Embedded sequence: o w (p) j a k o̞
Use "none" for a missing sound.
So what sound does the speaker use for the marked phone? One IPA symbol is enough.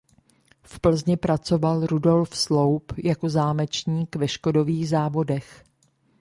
p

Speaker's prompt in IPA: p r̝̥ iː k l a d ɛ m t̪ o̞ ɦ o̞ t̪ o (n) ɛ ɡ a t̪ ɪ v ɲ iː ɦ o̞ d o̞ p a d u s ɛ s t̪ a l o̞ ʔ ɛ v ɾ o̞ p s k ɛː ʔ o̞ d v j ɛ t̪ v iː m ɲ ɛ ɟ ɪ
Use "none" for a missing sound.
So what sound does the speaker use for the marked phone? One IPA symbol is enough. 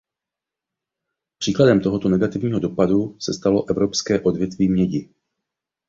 n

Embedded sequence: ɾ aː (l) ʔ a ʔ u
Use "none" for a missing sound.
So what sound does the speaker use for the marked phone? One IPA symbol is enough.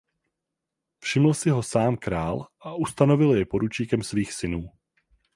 l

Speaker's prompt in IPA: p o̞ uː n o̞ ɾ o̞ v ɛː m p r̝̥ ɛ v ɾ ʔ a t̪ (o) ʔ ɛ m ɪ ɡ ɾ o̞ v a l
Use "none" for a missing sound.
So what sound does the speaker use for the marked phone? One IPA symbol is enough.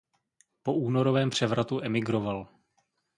u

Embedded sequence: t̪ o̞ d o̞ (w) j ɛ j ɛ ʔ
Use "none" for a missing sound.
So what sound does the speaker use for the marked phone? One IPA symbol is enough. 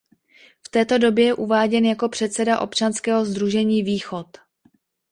b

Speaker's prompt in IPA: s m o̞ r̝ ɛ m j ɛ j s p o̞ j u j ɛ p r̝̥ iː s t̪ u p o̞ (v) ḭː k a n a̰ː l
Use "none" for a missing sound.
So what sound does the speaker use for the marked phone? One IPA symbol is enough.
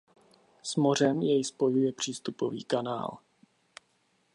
v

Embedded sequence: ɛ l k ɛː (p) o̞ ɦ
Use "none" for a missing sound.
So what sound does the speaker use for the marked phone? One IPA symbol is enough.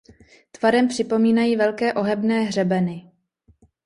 ʔ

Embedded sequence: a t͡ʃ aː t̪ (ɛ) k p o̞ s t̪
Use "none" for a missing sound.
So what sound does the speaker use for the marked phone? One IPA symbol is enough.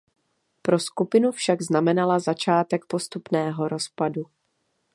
ɛ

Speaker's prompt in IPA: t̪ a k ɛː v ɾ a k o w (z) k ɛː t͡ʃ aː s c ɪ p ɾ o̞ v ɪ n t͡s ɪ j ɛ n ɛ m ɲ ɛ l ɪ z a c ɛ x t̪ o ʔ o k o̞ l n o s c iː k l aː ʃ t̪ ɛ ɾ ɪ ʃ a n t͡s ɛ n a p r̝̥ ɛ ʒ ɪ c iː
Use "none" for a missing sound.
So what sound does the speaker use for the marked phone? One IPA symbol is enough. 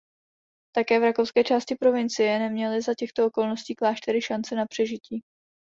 s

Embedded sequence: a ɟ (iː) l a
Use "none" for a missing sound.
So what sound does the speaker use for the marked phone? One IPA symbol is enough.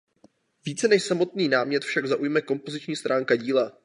iː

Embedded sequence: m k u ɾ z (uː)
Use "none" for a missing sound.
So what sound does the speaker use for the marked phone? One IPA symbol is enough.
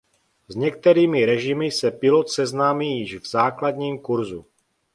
u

